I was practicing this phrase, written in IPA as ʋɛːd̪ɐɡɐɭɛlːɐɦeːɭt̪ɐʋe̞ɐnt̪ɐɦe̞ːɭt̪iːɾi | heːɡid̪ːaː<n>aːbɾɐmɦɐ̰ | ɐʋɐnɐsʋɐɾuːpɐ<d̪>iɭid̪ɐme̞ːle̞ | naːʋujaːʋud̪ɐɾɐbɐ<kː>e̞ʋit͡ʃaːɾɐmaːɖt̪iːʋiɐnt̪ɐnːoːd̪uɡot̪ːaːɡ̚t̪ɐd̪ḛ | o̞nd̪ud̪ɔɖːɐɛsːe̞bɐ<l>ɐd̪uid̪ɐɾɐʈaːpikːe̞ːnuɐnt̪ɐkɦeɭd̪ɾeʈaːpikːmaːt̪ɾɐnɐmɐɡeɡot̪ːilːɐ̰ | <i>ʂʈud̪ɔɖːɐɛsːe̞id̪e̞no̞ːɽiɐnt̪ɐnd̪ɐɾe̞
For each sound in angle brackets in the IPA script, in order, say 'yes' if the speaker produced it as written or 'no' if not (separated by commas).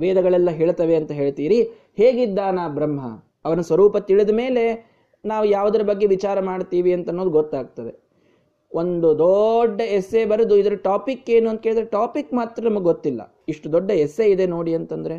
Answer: yes, no, no, no, yes